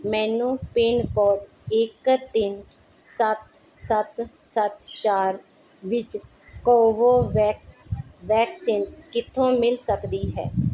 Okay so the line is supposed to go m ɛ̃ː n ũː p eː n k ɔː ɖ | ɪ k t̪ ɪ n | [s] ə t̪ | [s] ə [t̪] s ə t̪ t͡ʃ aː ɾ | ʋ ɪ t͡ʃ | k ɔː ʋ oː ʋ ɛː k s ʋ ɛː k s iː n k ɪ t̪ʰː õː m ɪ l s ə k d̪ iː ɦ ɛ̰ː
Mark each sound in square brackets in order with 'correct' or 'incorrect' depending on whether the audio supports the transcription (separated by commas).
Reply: correct, correct, correct